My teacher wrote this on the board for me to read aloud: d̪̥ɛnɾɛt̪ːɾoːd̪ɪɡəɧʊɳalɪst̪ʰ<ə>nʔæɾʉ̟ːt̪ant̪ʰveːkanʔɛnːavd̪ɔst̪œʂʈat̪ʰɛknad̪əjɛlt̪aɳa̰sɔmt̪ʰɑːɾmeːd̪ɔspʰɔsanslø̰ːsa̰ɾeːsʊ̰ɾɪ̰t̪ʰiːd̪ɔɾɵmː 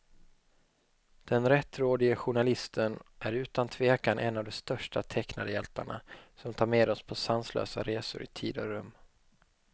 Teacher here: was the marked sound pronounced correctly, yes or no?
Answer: yes